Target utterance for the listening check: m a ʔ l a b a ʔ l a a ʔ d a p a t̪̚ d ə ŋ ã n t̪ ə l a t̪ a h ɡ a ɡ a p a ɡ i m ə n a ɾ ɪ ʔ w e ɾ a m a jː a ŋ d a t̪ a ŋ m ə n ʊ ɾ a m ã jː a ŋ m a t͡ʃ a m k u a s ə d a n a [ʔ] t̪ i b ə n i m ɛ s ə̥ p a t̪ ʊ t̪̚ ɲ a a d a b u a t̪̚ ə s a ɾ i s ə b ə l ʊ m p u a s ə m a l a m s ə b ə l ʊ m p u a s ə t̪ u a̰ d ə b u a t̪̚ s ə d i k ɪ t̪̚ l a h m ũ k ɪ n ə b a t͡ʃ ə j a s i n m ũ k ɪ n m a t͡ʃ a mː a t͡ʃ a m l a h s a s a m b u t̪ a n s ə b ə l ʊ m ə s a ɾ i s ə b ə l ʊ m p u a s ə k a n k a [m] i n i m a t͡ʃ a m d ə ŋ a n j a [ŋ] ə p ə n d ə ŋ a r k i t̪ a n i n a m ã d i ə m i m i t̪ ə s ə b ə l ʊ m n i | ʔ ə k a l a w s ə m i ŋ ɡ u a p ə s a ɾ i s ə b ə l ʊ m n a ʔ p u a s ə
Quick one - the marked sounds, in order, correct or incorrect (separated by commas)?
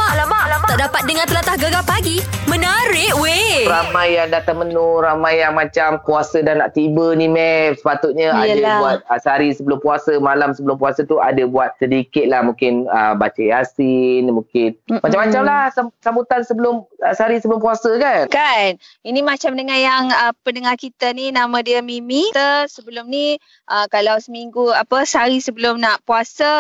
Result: correct, incorrect, correct